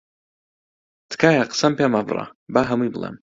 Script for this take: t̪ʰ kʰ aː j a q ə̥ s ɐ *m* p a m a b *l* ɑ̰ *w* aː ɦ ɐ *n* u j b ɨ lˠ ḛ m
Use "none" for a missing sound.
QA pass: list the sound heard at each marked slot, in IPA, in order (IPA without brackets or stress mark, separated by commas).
m, r, b, m